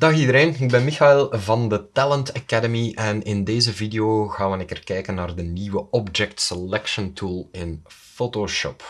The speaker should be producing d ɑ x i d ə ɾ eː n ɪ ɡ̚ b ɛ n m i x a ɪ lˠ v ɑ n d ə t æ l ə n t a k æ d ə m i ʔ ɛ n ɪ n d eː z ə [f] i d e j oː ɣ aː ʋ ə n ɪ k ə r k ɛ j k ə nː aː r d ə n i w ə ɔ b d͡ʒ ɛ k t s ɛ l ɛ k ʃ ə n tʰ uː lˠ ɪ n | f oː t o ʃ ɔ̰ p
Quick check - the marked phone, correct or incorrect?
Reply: incorrect